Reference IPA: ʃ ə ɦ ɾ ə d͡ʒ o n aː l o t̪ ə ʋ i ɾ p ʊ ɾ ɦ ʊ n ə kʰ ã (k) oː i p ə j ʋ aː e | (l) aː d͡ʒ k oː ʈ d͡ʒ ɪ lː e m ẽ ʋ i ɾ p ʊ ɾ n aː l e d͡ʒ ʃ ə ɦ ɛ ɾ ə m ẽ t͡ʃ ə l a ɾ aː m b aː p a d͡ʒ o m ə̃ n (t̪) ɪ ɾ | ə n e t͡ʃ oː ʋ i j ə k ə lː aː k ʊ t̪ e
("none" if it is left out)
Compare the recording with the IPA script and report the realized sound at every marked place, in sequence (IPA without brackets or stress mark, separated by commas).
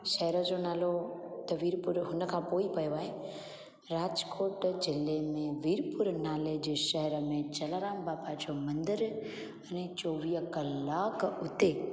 p, ɾ, d̪